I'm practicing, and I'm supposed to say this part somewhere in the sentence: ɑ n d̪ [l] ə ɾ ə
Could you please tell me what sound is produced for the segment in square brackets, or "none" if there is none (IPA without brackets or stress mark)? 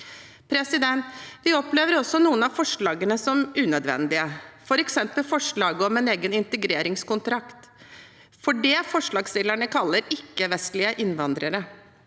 ɾ